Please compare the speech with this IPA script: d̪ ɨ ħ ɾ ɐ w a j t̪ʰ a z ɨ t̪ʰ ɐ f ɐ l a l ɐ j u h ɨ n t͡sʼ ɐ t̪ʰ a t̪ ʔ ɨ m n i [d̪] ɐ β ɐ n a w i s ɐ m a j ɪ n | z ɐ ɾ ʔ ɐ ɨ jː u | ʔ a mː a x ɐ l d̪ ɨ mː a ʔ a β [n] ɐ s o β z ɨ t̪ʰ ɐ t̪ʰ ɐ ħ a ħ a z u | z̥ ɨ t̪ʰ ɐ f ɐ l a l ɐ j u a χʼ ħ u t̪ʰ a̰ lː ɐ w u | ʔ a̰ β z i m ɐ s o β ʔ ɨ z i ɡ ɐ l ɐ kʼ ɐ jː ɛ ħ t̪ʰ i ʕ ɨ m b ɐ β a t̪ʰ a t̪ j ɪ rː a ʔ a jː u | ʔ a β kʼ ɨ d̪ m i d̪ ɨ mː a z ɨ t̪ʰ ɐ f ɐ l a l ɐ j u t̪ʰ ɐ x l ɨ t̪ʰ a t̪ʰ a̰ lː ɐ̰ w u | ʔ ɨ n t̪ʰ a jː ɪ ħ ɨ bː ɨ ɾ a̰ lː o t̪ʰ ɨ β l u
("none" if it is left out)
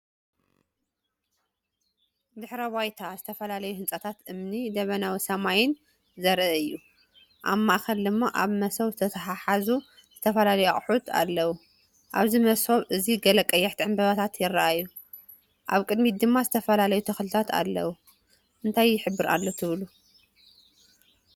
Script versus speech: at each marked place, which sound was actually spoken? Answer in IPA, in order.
d̪, m

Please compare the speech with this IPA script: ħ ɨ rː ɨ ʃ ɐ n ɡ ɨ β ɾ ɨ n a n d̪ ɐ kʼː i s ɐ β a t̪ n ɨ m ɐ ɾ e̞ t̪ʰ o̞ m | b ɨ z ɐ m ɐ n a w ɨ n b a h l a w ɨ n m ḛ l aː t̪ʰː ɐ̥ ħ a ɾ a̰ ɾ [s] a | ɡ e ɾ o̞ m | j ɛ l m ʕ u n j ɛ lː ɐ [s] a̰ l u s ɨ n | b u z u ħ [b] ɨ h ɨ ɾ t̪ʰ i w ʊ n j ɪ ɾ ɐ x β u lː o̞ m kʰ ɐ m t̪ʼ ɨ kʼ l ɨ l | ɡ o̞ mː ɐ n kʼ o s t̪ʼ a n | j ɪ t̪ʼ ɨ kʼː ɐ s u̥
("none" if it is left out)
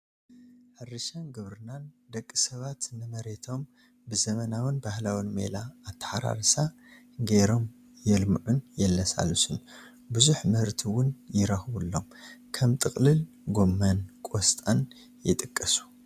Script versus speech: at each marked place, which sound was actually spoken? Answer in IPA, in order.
s, s, m

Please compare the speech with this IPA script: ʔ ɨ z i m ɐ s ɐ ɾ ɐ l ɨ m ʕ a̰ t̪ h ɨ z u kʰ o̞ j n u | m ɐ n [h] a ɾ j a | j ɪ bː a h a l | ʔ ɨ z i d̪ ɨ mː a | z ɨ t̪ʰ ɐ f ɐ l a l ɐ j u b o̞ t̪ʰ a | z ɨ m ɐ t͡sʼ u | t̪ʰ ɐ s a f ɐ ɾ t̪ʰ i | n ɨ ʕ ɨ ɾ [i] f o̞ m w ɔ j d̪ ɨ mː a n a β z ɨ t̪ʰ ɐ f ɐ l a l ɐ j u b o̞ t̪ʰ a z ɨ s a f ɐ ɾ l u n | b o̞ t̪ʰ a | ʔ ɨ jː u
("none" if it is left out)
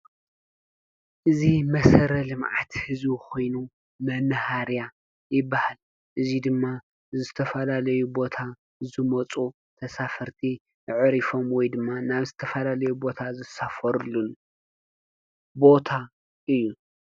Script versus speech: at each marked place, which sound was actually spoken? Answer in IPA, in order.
h, i

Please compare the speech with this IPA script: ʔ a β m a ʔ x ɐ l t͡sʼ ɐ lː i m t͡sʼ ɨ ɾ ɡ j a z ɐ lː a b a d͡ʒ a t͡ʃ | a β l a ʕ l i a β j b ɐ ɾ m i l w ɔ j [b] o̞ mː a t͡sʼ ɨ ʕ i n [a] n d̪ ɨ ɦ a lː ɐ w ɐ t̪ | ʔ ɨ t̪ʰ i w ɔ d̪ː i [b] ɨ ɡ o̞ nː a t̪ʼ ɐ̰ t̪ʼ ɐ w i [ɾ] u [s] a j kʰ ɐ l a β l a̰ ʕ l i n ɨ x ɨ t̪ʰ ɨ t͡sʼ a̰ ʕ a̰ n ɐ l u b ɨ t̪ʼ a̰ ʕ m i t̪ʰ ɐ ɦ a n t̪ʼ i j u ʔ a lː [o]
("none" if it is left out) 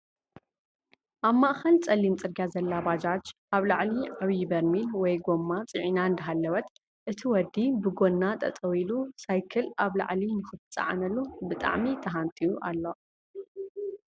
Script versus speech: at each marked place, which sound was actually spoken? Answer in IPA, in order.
ɡ, a, b, l, s, o

